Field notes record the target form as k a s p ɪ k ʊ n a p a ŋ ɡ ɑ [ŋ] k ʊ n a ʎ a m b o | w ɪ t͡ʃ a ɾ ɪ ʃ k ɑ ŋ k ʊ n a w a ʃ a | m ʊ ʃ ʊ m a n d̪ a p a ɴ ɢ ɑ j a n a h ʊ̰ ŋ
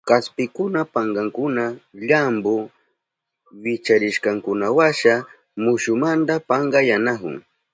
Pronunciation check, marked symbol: correct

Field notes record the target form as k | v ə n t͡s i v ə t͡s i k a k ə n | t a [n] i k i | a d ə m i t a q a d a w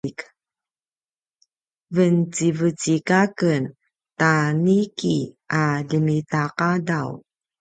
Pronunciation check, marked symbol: correct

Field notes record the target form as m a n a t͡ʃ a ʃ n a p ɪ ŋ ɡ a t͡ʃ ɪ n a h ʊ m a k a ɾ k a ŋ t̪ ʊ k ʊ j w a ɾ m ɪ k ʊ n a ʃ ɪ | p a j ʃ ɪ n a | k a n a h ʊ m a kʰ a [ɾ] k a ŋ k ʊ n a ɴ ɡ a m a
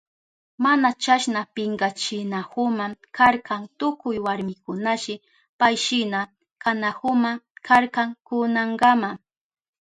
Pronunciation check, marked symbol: correct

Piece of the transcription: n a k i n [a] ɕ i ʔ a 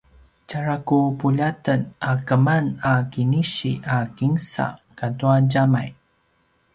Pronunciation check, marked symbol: incorrect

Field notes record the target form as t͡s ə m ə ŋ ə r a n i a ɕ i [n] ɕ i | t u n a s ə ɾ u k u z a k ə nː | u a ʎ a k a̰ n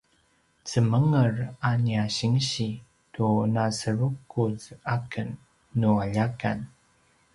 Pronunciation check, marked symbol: incorrect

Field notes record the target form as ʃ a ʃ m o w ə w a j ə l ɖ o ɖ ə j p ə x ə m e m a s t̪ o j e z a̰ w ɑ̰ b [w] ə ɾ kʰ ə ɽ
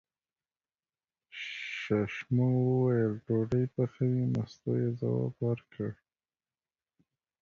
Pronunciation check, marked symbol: correct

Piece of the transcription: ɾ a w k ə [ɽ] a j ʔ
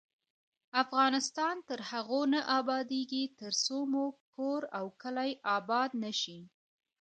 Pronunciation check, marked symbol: incorrect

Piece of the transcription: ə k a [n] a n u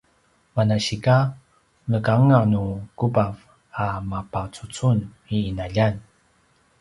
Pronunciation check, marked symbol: incorrect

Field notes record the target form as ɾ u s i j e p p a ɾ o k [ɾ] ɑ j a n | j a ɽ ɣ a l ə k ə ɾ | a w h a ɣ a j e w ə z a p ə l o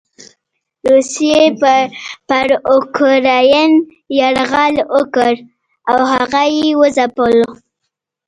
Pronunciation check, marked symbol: correct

